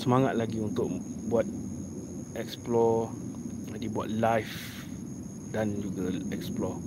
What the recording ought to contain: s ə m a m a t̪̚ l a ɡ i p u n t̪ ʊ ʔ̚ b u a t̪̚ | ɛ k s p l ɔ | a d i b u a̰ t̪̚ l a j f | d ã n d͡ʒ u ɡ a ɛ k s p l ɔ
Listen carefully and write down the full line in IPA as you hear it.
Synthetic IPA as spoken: s ə m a ŋ a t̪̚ l a ɡ i u n t̪ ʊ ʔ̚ b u a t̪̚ | ɛ k s p l ɔ | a d i b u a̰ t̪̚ l a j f | d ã n d͡ʒ u ɡ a ɛ k s p l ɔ